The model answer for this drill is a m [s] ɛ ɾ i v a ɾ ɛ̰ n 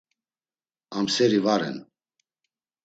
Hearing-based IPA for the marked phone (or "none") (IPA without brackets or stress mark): s